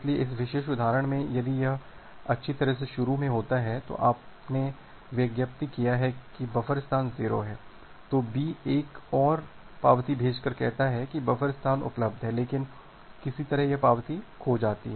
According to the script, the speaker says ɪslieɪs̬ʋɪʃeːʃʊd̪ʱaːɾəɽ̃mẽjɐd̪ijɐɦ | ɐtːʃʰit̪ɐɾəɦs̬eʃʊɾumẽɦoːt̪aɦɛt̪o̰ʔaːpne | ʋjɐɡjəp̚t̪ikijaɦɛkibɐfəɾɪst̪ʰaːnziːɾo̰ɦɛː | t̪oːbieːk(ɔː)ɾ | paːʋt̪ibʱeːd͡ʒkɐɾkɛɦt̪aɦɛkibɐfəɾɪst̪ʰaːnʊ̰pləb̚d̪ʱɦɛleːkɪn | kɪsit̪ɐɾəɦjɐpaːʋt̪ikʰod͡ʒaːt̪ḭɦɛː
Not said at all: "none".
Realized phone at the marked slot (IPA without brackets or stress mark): ɔː